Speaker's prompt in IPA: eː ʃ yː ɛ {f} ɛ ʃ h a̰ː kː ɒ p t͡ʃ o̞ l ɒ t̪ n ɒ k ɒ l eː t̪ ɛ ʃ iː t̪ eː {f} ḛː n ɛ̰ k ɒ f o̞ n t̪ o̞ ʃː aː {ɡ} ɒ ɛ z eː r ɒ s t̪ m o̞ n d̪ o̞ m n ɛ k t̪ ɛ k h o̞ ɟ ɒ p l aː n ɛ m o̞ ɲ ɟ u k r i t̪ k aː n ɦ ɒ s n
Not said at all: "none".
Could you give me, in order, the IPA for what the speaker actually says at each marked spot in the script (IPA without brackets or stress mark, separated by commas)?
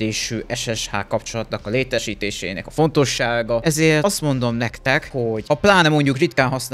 ʃ, ʃ, ɡ